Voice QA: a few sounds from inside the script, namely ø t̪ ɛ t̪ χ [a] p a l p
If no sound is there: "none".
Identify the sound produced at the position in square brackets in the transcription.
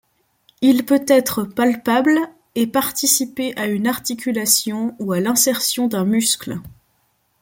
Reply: ə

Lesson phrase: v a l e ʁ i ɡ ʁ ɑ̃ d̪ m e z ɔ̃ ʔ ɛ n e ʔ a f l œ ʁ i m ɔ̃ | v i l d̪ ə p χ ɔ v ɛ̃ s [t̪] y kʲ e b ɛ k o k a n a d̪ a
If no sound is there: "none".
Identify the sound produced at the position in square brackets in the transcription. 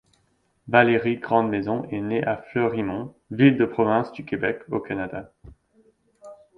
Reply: d̪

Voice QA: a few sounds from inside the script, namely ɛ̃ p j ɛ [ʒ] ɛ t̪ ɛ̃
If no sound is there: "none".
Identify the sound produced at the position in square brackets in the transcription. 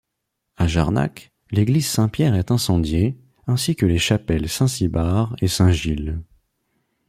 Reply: ʁ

